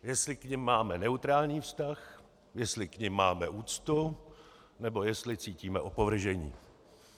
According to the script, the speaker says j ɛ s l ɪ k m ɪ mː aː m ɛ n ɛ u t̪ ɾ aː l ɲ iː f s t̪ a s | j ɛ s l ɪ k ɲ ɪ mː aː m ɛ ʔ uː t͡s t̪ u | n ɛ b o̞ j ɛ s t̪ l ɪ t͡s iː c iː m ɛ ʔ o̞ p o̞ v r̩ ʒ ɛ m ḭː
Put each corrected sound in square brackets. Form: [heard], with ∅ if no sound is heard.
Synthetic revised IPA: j ɛ s l ɪ k [ɲ] ɪ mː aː m ɛ n ɛ u t̪ ɾ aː l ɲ iː f s t̪ a [x] | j ɛ s l ɪ k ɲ ɪ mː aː m ɛ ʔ uː t͡s t̪ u | n ɛ b o̞ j ɛ s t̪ l ɪ t͡s iː c iː m ɛ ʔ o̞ p o̞ v r̩ ʒ ɛ [ɲ] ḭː

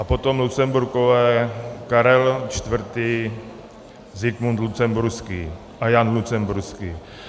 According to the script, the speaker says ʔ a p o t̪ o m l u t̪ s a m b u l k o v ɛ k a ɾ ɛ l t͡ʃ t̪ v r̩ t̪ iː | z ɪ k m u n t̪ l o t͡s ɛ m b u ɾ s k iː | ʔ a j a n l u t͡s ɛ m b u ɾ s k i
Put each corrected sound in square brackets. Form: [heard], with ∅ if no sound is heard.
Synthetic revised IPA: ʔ a p o t̪ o m l u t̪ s [ɛ] m b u [ɾ] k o v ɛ k a ɾ ɛ l t͡ʃ t̪ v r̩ t̪ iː | z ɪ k m u n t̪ l [u] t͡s ɛ m b u ɾ s k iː | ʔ a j a n l u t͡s ɛ m b u ɾ s k i

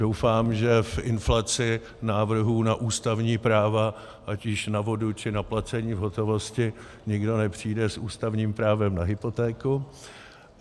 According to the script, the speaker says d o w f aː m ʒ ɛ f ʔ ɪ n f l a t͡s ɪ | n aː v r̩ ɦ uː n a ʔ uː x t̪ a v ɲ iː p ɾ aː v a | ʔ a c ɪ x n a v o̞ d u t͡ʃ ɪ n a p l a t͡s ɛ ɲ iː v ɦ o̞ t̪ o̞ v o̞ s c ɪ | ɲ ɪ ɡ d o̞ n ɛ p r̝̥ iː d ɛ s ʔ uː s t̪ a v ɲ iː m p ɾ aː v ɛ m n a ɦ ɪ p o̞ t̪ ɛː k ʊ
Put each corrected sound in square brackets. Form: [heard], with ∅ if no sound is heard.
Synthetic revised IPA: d o w f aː m ʒ ɛ f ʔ ɪ n f l a t͡s ɪ | n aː v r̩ ɦ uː n a ʔ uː [s] t̪ a v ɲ iː p ɾ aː v a | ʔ a c ɪ [ʃ] n a v o̞ d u t͡ʃ ɪ n a p l a t͡s ɛ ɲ iː v ɦ o̞ t̪ o̞ v o̞ s c ɪ | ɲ ɪ ɡ d o̞ n ɛ p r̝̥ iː d ɛ s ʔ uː s t̪ a v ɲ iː m p ɾ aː v ɛ m n a ɦ ɪ p o̞ t̪ ɛː k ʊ

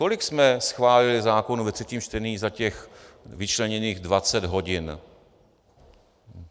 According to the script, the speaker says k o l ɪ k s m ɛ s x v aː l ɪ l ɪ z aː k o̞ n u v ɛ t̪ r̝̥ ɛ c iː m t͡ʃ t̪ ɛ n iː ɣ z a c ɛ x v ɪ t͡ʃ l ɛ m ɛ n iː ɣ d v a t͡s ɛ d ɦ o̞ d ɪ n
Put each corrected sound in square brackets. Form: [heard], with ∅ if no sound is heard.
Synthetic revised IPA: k o l ɪ k s m ɛ s x v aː l ɪ l ɪ z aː k o̞ n u v ɛ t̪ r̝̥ ɛ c iː m t͡ʃ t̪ ɛ n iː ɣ z a c ɛ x v ɪ t͡ʃ l ɛ [ɲ] ɛ n iː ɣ d v a t͡s ɛ d ɦ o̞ [ɟ] ɪ n

